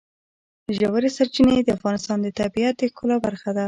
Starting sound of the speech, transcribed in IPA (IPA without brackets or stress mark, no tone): ʒ